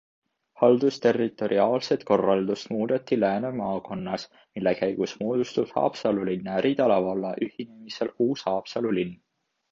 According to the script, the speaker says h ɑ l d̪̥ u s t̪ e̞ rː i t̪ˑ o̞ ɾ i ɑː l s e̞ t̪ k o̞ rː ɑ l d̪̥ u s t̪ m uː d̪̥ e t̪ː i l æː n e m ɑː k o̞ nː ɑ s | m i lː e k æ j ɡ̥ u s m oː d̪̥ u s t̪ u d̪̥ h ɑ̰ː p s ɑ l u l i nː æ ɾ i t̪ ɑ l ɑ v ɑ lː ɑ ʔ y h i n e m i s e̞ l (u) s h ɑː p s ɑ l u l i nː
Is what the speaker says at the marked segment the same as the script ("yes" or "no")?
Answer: no